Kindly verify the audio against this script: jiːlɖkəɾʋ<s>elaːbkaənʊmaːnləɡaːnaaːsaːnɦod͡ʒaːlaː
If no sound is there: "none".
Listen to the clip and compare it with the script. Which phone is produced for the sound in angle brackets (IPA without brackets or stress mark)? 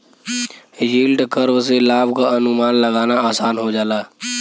s